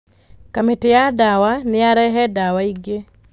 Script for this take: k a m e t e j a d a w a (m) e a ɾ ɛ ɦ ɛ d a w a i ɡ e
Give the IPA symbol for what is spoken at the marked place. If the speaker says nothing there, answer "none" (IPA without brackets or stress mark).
n